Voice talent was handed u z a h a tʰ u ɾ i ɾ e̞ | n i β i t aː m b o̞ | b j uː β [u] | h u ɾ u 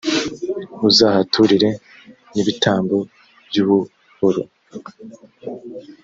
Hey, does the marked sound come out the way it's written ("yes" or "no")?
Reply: yes